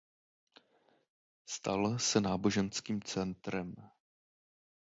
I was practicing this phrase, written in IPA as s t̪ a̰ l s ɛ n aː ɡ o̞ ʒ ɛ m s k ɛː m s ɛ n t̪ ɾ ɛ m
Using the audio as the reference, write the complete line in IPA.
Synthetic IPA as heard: s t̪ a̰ l s ɛ n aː b o̞ ʒ ɛ n s k iː m t͡s ɛ n t̪ ɾ ɛ m